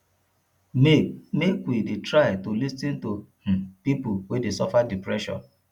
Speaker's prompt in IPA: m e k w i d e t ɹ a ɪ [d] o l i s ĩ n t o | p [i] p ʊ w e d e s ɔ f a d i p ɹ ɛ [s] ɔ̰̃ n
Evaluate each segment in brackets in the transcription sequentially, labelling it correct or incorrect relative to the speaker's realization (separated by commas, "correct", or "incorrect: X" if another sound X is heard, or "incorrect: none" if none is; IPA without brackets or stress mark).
incorrect: t, correct, incorrect: ʃ